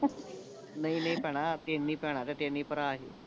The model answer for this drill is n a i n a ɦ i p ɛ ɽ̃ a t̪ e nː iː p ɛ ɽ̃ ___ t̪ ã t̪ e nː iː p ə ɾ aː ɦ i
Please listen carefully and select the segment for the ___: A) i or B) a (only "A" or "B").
B